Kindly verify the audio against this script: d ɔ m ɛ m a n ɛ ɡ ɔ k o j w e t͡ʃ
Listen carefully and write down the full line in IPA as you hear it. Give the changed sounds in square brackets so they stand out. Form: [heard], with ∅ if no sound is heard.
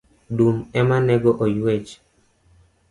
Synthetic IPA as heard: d [u] m ɛ m a n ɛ ɡ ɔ [ʔ] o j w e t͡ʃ